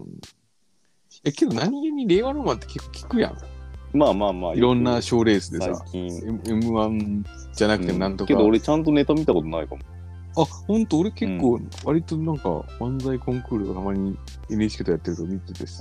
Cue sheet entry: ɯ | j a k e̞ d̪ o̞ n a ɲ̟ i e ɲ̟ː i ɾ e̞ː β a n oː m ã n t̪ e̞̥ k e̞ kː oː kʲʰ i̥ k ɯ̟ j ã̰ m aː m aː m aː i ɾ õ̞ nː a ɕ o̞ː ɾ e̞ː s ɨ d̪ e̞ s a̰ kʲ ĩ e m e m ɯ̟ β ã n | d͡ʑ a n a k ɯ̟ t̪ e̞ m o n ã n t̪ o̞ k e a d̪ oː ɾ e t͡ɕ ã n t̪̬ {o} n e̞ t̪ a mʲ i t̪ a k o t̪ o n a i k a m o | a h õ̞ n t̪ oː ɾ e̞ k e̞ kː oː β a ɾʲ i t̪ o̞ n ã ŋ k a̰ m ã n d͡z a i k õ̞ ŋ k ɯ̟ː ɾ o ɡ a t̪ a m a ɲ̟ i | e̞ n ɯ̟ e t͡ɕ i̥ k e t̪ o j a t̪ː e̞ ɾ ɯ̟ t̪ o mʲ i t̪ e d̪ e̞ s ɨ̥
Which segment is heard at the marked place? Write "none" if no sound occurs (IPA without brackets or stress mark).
o